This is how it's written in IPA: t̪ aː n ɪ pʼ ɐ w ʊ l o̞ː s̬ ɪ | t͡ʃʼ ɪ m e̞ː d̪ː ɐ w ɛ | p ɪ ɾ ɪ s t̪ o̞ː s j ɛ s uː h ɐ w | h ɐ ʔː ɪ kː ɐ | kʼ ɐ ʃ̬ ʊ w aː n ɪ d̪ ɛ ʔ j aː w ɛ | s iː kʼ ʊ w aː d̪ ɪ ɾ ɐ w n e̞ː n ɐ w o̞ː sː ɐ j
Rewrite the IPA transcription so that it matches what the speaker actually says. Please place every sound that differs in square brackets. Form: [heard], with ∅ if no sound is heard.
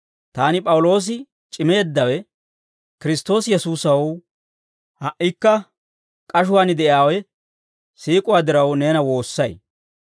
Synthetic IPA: t̪ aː n ɪ pʼ ɐ w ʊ l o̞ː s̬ ɪ | t͡ʃʼ ɪ m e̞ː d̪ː ɐ w ɛ | [k] ɪ ɾ ɪ s t̪ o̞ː s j ɛ s uː [s] ɐ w | h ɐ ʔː ɪ kː ɐ | kʼ ɐ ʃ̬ ʊ w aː n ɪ d̪ ɛ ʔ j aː w ɛ | s iː kʼ ʊ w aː d̪ ɪ ɾ ɐ w n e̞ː n ɐ w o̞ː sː ɐ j